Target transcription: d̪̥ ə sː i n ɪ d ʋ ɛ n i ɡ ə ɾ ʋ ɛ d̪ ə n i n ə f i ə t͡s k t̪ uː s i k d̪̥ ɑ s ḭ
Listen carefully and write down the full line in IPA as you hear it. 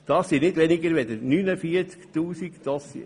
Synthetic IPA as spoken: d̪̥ ɑ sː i n ɪ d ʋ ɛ n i ɡ ə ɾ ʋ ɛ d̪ ə n y n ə f i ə t͡s k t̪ uː s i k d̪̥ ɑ s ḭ